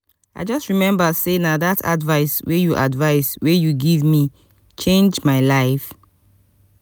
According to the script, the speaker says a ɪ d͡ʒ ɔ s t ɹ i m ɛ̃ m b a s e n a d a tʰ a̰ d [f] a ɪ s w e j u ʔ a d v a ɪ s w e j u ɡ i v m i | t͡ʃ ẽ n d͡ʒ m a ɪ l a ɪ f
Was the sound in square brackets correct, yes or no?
no